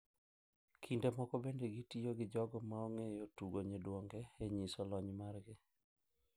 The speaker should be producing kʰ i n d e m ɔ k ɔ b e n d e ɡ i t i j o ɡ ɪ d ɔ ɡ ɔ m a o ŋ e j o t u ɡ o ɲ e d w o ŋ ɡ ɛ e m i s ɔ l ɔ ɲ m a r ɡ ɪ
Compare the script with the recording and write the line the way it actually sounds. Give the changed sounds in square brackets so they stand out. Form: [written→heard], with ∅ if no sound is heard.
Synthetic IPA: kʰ i n d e m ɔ k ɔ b e n d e ɡ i t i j o ɡ ɪ [d→d͡ʒ] ɔ ɡ ɔ m a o ŋ e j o t u ɡ o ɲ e d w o ŋ ɡ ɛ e [m→ɲ] i s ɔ l ɔ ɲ m a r ɡ ɪ